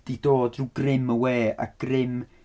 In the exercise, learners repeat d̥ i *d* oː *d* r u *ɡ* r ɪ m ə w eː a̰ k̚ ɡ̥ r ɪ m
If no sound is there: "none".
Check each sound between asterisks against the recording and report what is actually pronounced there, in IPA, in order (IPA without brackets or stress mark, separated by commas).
d, d, ɡ